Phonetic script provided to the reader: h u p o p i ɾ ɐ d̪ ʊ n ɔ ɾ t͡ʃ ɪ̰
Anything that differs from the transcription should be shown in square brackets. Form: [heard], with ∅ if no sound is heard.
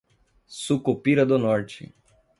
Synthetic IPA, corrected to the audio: [s] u [k] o p i ɾ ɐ d̪ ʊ n ɔ ɾ t͡ʃ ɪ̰